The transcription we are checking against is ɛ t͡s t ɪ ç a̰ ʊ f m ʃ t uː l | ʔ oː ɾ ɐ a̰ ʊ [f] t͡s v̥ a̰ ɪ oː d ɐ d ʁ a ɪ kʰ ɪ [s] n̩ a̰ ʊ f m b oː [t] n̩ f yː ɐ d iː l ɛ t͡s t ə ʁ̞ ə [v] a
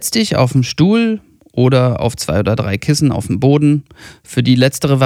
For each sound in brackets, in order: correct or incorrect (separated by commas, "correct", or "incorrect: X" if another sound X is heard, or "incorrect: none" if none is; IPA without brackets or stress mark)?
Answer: correct, correct, incorrect: d, correct